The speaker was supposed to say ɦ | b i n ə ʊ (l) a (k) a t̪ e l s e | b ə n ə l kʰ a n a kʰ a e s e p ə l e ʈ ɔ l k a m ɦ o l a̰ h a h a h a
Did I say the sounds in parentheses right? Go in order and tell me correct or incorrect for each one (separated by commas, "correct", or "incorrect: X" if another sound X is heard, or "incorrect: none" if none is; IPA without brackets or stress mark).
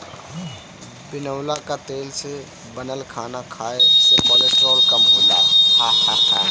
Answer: correct, correct